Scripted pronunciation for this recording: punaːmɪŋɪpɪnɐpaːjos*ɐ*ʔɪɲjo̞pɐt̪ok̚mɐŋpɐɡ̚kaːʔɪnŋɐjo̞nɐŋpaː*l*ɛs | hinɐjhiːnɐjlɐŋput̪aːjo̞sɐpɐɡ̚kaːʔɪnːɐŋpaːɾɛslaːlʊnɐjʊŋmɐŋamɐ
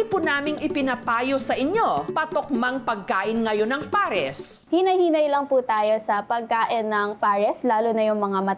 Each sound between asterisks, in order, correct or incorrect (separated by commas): correct, incorrect